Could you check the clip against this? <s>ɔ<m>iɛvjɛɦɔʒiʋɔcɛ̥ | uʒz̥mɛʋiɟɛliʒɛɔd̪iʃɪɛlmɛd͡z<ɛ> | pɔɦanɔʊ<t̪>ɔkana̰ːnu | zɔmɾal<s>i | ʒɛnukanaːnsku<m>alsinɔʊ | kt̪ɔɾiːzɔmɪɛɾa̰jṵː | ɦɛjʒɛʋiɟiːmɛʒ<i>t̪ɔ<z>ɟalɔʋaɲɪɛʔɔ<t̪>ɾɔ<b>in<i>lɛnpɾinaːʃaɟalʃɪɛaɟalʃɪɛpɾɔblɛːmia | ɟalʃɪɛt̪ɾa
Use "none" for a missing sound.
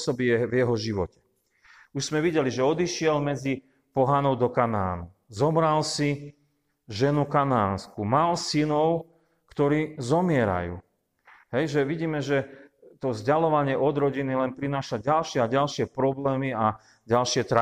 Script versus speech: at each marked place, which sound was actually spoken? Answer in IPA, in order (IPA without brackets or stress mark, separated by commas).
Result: s, b, i, d̪, s, m, ɛ, z, d̪, ɟ, i